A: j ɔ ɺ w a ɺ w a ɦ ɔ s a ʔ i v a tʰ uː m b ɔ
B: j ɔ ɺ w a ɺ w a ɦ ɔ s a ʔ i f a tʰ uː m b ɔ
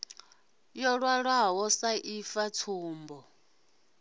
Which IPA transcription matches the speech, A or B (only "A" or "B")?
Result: B